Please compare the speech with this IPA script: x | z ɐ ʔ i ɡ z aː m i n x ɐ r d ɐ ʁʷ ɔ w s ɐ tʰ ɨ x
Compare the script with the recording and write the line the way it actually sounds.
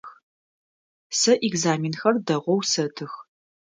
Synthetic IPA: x | s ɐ ʔ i ɡ z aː m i n x ɐ r d ɐ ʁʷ ɔ w s ɐ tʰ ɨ x